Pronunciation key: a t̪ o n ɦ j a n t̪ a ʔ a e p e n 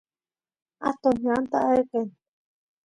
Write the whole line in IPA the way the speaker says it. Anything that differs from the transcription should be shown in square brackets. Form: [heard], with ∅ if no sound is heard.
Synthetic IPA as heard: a t̪ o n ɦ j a n t̪ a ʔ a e [k] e n

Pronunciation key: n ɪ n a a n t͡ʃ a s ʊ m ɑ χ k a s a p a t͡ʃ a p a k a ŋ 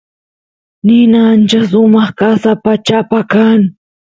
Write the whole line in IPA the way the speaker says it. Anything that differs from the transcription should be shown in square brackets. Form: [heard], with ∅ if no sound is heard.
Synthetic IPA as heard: n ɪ n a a n t͡ʃ a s ʊ m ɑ χ k a s a p a t͡ʃ a p a k a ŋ

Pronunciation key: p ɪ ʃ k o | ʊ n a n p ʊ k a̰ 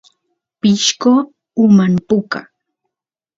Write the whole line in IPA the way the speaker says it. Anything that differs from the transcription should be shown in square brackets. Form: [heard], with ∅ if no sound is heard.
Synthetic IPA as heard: p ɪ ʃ k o | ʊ [m] a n p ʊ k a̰

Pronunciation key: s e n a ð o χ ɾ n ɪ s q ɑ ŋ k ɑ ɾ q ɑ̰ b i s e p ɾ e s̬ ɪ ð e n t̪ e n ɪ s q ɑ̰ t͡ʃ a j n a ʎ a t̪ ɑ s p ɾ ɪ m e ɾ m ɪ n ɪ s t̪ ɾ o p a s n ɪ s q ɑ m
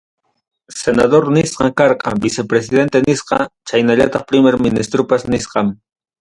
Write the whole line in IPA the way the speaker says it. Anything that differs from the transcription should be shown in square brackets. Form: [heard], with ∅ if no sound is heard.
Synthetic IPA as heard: s e n a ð o [∅] ɾ n ɪ s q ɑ ŋ k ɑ ɾ q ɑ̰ b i s e p ɾ e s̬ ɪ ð e n t̪ e n ɪ s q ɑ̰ t͡ʃ a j n a ʎ a t̪ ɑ [χ] p ɾ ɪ m e ɾ m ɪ n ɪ s t̪ ɾ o p a s n ɪ s q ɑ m

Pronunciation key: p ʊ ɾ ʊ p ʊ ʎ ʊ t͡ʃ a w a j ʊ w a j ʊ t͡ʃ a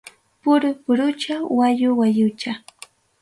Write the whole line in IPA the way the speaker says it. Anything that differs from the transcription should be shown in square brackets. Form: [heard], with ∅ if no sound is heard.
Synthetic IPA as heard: p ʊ ɾ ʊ p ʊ [ɾ] ʊ t͡ʃ a w a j ʊ w a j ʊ t͡ʃ a

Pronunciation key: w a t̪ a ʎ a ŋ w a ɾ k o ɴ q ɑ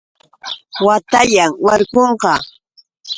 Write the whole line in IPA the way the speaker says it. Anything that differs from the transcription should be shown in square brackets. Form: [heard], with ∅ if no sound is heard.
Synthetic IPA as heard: w a t̪ a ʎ a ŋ w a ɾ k o ɴ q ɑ

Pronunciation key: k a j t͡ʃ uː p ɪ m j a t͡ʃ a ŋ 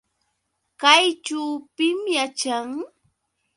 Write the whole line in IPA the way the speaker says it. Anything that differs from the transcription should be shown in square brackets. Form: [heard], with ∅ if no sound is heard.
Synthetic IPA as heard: k a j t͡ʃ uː p ɪ m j a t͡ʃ a ŋ

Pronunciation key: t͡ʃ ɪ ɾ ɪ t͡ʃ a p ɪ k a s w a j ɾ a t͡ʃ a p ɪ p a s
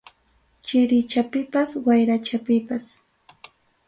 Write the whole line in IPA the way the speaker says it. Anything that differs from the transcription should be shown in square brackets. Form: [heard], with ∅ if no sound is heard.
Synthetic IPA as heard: t͡ʃ ɪ ɾ ɪ t͡ʃ a p ɪ [p] a s w a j ɾ a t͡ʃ a p ɪ p a s

